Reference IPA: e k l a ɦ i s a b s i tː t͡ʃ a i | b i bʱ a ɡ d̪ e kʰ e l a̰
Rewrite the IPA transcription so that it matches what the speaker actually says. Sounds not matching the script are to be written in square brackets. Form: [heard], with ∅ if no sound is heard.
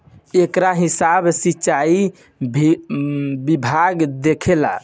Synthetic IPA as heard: e k [ɾ] a ɦ i s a b s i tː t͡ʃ a i | b i bʱ a ɡ d̪ e kʰ e l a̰